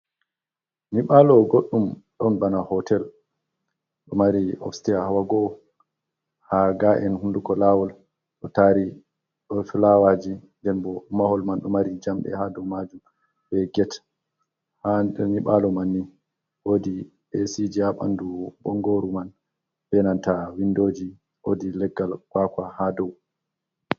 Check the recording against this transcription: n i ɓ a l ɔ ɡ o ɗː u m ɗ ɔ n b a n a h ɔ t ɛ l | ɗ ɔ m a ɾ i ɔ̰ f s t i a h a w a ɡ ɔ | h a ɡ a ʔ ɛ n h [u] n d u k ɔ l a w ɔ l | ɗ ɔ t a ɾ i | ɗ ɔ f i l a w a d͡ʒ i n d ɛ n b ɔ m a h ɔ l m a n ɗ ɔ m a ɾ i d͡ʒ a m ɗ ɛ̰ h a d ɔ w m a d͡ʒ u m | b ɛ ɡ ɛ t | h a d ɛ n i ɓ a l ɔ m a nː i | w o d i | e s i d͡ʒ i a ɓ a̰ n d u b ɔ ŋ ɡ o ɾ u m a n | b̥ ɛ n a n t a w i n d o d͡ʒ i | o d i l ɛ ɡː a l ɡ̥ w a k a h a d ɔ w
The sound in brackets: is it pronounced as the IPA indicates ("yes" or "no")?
yes